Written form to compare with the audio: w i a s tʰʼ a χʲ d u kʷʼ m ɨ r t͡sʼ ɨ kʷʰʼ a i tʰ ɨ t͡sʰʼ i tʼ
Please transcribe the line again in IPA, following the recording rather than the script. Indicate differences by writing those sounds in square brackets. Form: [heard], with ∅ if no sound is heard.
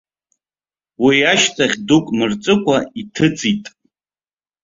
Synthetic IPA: w i a [ʃ] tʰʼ a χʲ d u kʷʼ m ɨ r t͡sʼ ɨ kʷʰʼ a i tʰ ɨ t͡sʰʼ i tʼ